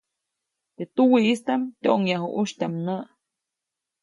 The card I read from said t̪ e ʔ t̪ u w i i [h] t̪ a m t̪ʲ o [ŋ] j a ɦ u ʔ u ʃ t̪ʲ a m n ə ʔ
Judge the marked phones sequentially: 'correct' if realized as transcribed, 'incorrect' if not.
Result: incorrect: s, correct

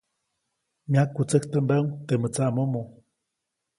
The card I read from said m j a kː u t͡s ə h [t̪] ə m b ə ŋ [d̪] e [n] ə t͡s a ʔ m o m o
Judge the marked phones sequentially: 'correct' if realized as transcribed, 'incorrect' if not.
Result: correct, incorrect: t̪, incorrect: m

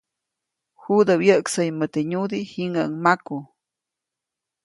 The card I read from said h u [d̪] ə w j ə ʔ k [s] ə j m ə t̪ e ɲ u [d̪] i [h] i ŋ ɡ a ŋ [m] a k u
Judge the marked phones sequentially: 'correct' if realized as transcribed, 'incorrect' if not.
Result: correct, correct, correct, correct, correct

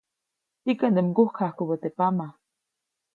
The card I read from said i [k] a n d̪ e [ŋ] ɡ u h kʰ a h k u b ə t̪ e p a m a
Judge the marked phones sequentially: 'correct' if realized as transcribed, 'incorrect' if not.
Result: correct, incorrect: m

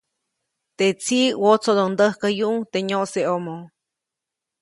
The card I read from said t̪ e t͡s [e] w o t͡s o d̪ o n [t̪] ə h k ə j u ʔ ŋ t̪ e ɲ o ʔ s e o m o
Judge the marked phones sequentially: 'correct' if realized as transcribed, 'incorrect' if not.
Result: incorrect: i, incorrect: d̪

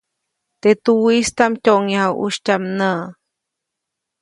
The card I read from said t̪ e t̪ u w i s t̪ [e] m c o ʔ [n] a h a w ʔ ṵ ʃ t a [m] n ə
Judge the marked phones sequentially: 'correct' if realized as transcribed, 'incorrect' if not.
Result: incorrect: a, incorrect: ŋ, correct

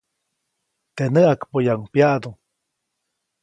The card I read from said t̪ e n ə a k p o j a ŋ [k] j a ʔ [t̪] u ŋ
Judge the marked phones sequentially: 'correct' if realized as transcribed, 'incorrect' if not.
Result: incorrect: p, incorrect: d̪

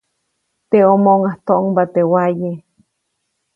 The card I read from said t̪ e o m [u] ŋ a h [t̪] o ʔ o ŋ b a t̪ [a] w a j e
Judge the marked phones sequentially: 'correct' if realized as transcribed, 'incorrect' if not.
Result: incorrect: o, correct, incorrect: e

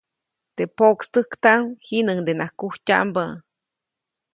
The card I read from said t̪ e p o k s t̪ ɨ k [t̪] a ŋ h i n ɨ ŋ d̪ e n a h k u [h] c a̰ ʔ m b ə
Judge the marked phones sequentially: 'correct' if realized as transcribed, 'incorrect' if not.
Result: correct, correct

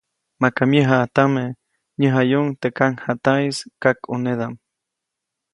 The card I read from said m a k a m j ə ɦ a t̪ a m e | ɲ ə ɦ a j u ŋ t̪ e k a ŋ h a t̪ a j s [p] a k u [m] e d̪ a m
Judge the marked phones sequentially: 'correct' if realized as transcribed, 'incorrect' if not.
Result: incorrect: k, incorrect: n

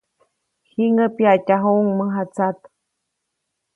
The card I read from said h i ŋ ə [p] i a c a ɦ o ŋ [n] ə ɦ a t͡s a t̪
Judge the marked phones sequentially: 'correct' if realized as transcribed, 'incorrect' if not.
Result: correct, incorrect: m

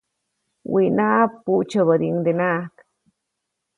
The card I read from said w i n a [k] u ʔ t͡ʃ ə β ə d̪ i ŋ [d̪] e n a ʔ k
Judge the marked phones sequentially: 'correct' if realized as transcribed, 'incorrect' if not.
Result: incorrect: p, correct

